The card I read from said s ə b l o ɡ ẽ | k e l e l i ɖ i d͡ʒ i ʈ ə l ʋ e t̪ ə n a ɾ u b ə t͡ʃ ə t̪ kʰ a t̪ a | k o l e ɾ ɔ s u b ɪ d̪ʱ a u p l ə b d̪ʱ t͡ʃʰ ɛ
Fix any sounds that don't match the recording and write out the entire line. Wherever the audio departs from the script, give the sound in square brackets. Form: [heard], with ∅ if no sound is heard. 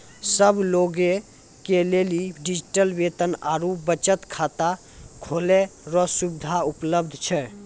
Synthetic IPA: s ə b l o ɡ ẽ | k e l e l i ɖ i d͡ʒ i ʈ ə l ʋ e t̪ ə n a ɾ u b ə t͡ʃ ə t̪ kʰ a t̪ a | [kʰ] o l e ɾ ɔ s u b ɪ d̪ʱ a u p l ə b d̪ʱ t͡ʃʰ ɛ